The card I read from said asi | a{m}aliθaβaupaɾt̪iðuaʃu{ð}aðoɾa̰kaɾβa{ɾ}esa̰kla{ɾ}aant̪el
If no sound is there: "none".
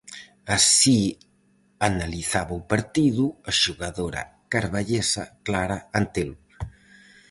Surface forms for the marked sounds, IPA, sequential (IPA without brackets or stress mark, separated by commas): n, ɣ, ʎ, ɾ